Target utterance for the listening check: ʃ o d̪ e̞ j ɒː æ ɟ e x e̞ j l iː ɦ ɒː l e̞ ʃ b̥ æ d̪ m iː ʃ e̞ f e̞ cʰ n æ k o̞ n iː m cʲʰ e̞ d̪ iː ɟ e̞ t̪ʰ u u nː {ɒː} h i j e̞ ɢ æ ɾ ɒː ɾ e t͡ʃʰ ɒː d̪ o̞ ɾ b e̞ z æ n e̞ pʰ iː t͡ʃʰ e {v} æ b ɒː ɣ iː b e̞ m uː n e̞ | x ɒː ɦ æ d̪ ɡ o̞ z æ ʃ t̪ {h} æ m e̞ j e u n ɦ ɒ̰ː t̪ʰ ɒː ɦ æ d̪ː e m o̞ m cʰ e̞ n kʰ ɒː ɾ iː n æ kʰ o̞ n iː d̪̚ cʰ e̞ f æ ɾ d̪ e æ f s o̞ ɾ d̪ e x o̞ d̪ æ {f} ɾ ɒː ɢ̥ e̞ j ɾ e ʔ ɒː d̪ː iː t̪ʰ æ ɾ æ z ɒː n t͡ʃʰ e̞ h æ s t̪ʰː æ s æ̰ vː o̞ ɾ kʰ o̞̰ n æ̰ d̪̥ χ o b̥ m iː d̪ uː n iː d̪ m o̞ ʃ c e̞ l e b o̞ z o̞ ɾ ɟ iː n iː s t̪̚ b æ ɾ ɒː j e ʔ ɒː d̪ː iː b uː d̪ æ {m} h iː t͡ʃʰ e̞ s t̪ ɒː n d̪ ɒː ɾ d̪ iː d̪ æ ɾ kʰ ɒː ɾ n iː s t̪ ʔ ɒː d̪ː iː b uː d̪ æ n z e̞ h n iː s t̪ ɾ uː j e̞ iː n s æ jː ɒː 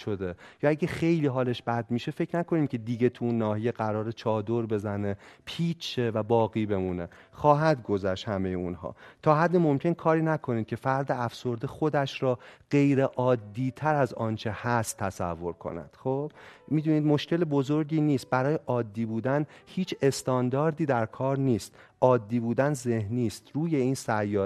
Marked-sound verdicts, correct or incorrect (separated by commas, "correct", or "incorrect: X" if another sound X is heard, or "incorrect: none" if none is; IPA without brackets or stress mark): correct, correct, correct, incorrect: ʃ, incorrect: n